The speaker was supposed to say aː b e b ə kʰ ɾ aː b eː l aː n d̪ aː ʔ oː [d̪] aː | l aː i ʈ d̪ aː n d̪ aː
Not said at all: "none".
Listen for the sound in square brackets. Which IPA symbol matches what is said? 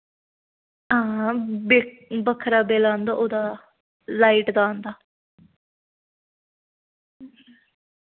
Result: d̪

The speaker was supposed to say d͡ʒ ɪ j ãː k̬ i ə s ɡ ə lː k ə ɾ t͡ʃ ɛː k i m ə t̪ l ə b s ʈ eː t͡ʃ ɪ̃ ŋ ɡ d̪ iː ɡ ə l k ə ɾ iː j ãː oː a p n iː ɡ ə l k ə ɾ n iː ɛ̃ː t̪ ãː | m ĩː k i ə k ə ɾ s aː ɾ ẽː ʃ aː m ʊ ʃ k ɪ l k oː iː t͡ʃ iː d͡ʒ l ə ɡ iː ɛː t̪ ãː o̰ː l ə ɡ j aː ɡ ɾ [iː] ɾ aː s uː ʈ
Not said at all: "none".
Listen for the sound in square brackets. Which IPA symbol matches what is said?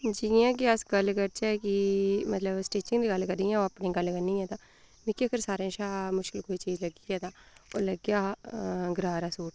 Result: aː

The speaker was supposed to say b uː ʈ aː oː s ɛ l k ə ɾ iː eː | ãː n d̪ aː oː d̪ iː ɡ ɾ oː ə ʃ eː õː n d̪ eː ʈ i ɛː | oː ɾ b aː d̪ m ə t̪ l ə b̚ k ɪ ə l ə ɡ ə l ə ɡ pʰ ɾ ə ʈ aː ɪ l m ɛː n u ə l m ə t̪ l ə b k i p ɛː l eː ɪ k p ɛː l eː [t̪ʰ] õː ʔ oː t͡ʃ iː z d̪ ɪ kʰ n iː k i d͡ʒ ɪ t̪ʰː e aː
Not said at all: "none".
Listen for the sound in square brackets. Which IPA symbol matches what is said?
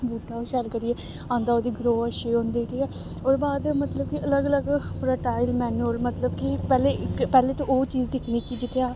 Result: t̪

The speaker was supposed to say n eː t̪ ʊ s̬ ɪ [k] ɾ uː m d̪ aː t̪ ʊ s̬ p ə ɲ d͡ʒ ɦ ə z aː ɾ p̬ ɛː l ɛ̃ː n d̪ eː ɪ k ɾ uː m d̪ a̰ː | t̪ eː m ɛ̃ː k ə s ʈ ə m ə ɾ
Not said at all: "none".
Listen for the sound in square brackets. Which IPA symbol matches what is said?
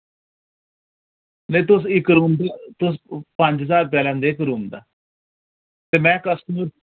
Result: k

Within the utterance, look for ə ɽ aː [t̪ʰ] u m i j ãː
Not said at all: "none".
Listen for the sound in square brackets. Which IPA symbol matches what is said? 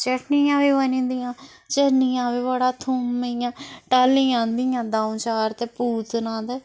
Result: t̪ʰ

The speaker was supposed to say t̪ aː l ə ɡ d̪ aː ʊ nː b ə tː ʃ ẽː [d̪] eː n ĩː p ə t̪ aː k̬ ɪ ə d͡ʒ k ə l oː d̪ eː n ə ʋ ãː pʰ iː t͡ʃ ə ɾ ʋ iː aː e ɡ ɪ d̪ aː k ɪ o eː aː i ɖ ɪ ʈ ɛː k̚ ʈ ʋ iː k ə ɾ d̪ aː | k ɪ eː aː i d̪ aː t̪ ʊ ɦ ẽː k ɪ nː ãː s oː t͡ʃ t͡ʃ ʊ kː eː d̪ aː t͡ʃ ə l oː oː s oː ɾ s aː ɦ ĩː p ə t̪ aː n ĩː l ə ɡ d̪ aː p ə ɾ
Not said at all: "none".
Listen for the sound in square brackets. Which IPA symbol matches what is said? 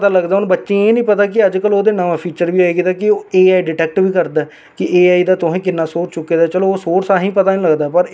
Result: none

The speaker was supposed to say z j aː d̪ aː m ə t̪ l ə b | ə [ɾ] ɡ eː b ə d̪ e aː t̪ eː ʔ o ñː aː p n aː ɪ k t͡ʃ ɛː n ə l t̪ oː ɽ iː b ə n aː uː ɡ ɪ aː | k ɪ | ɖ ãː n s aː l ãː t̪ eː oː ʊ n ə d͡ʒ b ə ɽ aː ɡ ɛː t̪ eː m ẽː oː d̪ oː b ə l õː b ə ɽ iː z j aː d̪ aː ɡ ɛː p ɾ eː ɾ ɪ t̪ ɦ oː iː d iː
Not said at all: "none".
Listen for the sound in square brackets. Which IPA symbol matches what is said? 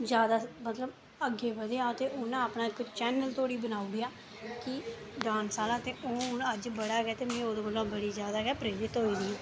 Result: none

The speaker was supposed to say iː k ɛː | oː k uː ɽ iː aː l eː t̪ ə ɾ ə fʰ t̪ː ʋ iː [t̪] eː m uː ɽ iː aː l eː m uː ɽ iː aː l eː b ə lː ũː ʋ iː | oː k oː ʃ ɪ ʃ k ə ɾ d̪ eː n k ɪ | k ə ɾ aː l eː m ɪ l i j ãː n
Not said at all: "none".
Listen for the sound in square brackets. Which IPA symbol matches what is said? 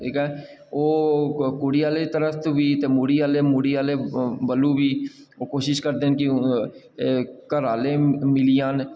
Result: t̪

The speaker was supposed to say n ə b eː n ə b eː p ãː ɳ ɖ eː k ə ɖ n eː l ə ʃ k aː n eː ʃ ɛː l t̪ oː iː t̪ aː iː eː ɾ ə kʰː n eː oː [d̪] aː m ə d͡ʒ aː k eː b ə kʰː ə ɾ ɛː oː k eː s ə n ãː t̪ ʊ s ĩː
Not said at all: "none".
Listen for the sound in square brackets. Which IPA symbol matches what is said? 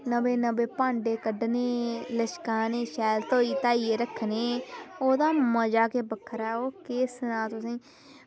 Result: d̪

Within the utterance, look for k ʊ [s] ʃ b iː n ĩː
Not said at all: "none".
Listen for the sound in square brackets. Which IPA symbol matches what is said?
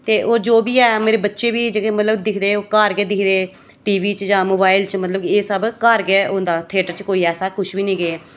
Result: none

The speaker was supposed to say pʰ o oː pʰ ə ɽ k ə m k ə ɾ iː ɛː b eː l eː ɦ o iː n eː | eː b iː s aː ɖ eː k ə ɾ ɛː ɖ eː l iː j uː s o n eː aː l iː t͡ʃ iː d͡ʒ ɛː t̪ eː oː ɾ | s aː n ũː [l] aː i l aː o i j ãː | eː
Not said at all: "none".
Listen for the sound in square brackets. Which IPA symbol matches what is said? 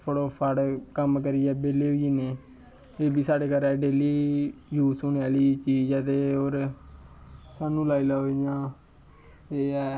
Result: l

